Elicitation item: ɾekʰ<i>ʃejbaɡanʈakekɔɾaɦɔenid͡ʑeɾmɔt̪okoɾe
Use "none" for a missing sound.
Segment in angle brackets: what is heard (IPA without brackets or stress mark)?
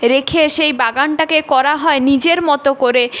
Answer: e